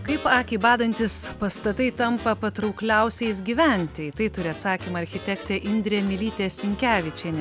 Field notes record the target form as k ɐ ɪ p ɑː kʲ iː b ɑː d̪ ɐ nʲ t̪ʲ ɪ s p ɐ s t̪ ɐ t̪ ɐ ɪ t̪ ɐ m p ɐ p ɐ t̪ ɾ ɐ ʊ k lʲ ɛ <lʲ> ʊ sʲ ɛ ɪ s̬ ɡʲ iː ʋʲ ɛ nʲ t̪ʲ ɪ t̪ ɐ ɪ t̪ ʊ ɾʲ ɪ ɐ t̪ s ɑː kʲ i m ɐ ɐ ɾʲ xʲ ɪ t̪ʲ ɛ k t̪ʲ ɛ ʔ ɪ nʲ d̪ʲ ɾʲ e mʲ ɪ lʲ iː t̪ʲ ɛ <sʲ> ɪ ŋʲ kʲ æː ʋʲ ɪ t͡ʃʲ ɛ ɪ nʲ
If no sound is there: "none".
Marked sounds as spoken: none, sʲ

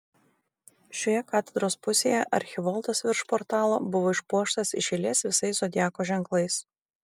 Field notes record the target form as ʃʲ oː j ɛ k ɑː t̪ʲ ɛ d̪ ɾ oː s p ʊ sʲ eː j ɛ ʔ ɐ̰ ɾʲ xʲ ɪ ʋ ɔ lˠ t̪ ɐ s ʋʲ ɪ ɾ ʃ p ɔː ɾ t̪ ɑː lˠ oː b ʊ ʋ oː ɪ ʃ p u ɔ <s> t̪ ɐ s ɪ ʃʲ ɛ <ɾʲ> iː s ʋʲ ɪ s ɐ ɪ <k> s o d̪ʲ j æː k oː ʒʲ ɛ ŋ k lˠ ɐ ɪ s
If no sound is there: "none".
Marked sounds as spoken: ʃ, lʲ, none

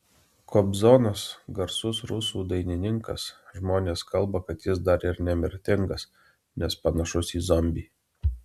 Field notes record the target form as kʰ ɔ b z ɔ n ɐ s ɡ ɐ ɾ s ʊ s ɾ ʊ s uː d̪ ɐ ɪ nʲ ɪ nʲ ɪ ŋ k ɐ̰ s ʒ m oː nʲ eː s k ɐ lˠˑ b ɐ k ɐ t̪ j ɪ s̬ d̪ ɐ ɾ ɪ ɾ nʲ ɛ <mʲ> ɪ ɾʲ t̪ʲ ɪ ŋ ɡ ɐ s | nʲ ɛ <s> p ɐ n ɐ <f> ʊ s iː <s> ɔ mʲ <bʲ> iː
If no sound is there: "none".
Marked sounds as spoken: mʲ, s, ʃ, z, bʲ

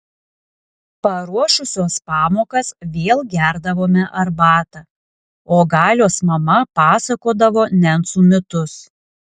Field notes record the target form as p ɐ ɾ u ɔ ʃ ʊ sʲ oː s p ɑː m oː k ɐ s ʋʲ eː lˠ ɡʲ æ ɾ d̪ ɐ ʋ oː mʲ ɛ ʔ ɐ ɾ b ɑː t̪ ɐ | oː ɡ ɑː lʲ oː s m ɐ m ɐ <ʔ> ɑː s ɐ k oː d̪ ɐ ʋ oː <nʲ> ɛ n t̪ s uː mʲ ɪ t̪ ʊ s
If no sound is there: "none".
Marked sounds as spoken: p, nʲ

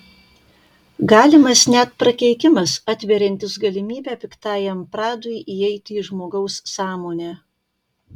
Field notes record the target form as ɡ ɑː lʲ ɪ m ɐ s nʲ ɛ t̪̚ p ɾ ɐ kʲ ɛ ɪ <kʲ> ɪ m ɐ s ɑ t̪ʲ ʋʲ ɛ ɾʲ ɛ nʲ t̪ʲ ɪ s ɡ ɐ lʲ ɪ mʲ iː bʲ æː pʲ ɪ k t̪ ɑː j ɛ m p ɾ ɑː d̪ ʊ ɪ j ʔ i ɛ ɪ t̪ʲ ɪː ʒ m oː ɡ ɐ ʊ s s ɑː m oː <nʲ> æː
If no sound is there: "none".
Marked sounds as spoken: kʲ, nʲ

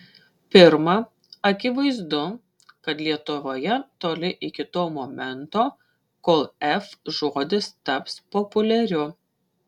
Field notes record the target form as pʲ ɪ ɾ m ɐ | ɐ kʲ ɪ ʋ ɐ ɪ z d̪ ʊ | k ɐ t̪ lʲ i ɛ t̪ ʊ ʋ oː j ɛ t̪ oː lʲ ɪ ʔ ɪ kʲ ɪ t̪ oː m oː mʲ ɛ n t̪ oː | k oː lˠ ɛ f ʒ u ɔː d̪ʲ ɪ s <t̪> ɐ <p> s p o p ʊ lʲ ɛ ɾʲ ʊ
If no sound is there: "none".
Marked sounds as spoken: t̪, p

